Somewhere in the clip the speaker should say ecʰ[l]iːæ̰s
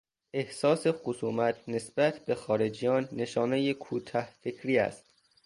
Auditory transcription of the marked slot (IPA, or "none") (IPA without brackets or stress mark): ɾ